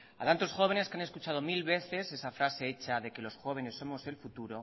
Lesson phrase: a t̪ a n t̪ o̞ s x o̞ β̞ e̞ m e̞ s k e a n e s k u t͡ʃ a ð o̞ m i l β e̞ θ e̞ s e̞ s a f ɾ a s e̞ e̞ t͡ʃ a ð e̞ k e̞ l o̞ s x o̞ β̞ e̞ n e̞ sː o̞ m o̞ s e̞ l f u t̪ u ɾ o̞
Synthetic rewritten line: a t̪ a n t̪ o̞ s x o̞ β̞ e̞ n e̞ s k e a n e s k u t͡ʃ a ð o̞ m i l β e̞ θ e̞ s e̞ s a f ɾ a s e̞ e̞ t͡ʃ a ð e̞ k e̞ l o̞ s x o̞ β̞ e̞ n e̞ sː o̞ m o̞ s e̞ l f u t̪ u ɾ o̞